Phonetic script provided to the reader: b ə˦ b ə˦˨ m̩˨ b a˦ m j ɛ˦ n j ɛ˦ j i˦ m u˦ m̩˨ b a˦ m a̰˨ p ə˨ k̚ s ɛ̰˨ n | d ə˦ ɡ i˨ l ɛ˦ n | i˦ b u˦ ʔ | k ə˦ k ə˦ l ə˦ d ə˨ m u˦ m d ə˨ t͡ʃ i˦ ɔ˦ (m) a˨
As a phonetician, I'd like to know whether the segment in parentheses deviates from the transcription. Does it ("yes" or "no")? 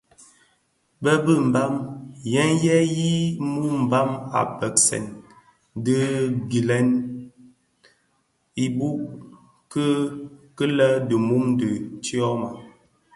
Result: no